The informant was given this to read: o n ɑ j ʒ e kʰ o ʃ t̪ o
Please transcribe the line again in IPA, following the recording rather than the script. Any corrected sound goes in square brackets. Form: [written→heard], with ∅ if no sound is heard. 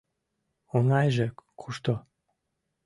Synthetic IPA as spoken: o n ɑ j ʒ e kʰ [o→u] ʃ t̪ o